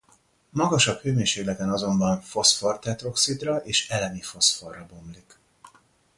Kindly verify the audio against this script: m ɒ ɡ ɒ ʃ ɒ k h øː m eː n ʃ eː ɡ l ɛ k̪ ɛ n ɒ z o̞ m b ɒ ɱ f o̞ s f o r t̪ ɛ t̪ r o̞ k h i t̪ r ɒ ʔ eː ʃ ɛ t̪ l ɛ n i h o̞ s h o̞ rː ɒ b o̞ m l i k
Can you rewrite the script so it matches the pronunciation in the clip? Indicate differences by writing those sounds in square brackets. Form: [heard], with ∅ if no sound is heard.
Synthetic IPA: m ɒ ɡ ɒ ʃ ɒ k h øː m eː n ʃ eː ɡ l ɛ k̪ ɛ n ɒ z o̞ m b ɒ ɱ f o̞ s f o r t̪ ɛ t̪ r o̞ k [s] i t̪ r ɒ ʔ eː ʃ ɛ [∅] l ɛ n i [f] o̞ s [f] o̞ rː ɒ b o̞ m l i k